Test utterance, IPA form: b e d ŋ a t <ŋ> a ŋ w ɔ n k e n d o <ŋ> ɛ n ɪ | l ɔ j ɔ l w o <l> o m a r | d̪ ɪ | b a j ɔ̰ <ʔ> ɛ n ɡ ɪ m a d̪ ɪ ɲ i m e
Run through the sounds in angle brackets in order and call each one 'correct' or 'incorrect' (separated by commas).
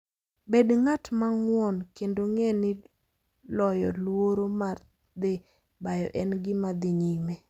incorrect, correct, incorrect, correct